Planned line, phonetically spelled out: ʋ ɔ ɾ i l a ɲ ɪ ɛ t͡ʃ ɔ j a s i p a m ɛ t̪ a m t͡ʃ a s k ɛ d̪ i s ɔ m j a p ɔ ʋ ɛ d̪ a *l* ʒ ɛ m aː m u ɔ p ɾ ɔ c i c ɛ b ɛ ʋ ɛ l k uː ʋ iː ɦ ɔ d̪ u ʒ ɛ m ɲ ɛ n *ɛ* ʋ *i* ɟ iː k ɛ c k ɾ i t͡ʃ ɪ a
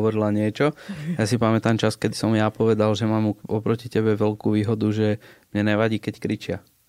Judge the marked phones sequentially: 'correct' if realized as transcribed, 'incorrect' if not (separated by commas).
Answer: correct, correct, incorrect